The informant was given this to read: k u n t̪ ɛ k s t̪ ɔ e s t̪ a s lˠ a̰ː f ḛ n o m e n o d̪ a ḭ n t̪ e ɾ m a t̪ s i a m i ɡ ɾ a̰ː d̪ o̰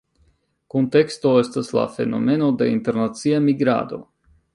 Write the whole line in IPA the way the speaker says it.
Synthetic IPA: k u n t̪ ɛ k s t̪ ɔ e s t̪ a s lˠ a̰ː f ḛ n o m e n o d̪ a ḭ n t̪ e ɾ n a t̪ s i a m i ɡ ɾ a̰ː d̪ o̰